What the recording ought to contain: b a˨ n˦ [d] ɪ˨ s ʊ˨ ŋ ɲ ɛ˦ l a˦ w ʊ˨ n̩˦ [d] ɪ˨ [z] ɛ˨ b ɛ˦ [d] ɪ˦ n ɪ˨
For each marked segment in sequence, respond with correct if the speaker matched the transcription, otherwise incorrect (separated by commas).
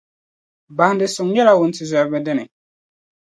correct, incorrect, correct, correct